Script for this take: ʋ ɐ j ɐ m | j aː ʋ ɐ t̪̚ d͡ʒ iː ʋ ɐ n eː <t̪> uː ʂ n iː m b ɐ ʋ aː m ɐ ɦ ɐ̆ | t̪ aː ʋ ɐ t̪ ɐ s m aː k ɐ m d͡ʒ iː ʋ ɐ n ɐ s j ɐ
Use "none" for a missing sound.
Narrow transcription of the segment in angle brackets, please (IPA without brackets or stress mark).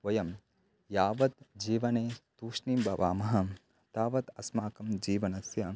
t̪